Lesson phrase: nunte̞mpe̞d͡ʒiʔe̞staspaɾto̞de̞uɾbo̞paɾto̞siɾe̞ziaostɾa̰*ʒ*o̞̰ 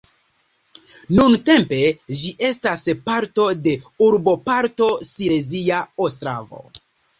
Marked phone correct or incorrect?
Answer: incorrect: v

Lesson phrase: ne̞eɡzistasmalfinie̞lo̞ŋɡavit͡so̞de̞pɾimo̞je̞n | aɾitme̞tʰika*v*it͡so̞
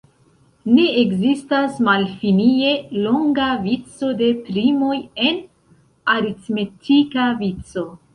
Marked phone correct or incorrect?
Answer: correct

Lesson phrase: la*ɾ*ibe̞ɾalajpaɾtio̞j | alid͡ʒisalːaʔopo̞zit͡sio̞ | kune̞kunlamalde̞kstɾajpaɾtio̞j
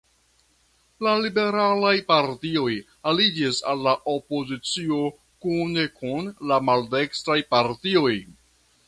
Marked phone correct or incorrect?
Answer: incorrect: l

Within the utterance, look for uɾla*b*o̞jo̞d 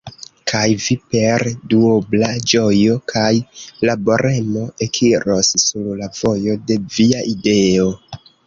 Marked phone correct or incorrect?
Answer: incorrect: v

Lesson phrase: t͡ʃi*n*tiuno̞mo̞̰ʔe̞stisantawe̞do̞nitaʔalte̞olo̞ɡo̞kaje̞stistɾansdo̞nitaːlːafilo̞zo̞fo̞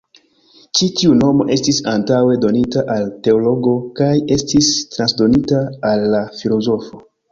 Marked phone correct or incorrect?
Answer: incorrect: none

